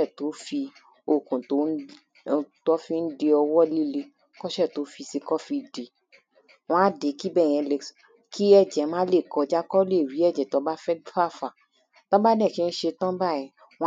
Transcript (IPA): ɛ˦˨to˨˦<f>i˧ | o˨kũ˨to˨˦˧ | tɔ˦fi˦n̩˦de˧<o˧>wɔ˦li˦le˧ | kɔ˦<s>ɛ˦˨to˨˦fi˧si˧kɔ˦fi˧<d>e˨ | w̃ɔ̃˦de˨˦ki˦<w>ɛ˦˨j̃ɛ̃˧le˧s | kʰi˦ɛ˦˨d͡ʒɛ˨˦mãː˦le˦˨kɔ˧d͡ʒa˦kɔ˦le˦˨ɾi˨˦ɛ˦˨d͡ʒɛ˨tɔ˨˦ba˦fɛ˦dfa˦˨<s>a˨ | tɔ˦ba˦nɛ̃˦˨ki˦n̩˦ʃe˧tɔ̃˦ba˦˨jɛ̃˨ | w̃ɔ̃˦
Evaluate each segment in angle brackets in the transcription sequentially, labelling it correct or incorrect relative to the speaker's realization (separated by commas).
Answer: correct, incorrect, incorrect, correct, incorrect, incorrect